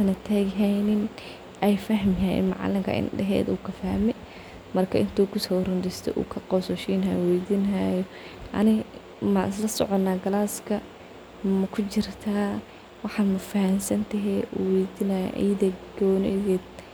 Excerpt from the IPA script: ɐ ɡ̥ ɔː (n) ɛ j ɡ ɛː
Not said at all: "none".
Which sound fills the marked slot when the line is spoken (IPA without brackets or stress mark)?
n